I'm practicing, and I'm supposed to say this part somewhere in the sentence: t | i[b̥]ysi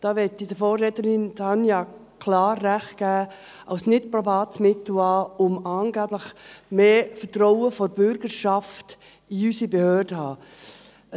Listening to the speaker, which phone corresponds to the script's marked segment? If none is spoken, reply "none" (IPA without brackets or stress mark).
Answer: none